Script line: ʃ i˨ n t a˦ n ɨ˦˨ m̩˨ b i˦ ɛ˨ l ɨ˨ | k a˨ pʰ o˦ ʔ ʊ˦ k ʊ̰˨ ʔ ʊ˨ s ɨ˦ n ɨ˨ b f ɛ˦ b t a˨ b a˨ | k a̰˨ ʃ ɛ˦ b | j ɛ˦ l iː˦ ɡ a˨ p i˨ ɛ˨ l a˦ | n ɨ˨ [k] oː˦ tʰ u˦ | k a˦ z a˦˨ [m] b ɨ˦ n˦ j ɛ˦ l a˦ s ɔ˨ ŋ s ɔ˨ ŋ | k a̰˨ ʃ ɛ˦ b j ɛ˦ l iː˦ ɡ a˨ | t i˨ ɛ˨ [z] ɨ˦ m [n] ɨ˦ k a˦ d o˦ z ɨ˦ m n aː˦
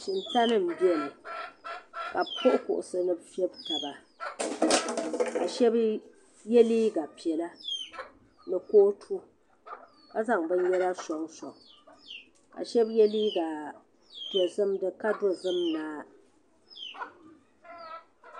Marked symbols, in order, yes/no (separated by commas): yes, no, yes, no